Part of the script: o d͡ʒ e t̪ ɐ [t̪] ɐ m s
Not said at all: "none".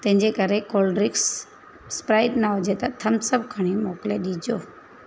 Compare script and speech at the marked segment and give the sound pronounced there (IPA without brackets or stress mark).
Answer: t̪ʰ